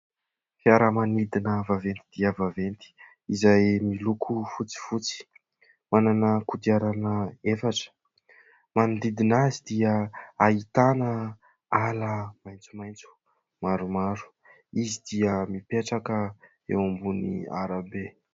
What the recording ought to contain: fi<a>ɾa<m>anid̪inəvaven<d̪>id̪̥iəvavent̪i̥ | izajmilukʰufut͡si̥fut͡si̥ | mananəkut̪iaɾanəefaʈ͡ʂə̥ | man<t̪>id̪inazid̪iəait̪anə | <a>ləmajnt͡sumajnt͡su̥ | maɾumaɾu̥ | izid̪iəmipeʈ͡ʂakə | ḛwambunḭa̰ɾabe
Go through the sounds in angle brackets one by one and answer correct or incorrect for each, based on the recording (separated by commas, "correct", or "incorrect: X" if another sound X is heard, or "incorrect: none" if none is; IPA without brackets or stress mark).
correct, correct, incorrect: t̪, incorrect: d̪, correct